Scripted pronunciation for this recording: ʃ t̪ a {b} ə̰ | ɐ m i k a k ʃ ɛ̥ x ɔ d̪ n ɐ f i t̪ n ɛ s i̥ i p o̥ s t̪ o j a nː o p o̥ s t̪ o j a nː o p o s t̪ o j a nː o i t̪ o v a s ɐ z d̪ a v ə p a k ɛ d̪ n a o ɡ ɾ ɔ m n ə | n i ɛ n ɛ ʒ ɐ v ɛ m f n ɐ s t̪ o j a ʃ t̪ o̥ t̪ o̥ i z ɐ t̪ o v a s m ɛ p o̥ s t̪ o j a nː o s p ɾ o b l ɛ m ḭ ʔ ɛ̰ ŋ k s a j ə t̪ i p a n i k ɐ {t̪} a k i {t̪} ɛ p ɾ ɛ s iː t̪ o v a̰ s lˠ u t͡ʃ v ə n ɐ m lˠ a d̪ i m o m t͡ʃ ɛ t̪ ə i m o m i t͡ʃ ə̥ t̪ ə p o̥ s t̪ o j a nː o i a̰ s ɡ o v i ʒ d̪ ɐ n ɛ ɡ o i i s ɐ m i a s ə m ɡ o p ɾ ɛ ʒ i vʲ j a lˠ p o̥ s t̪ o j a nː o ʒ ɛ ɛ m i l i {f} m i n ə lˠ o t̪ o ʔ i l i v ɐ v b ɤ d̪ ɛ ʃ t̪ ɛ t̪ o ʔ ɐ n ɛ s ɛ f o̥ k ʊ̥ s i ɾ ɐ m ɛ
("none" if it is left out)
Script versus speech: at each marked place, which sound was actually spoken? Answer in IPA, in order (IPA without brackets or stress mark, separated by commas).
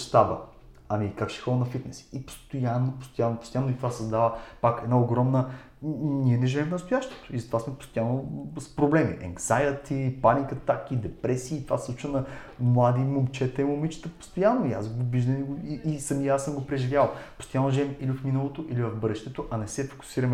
b, t̪, d̪, f